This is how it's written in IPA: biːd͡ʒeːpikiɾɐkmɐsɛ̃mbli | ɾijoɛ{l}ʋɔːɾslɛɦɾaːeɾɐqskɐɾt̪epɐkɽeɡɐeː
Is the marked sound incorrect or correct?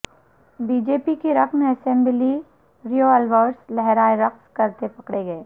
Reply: correct